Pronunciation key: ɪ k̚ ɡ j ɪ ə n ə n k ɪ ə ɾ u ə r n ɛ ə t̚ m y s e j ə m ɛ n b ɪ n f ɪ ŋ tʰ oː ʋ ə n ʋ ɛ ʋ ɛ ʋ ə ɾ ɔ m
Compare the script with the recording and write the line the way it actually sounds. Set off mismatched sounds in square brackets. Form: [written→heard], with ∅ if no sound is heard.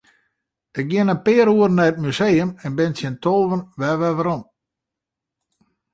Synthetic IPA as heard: ɪ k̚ ɡ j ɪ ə n ə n [k→p] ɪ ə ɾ u ə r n ɛ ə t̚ m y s e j ə m ɛ n b ɪ n [f→s] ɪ [ŋ→n] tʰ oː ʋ ə n ʋ ɛ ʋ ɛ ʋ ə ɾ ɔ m